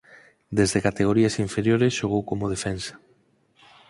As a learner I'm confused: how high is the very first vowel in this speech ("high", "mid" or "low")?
mid